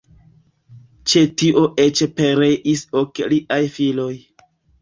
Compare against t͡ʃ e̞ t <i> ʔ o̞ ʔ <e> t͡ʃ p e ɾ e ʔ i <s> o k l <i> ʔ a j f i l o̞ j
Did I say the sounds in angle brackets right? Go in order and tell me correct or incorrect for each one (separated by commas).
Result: correct, correct, correct, correct